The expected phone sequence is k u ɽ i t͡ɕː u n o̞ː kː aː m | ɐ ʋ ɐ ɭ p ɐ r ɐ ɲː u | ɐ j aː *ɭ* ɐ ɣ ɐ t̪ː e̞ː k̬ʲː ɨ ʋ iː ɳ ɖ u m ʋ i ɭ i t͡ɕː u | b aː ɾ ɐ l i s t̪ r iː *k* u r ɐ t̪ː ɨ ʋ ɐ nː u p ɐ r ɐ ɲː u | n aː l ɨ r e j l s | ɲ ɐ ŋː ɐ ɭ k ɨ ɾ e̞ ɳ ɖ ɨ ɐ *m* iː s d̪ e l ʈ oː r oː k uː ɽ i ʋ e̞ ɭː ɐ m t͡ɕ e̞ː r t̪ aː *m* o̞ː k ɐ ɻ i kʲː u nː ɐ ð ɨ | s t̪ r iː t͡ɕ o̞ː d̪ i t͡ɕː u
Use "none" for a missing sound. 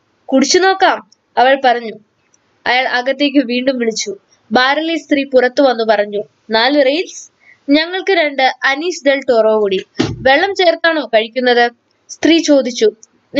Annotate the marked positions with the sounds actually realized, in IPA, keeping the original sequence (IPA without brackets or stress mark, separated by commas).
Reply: ɭ, p, n, ɳ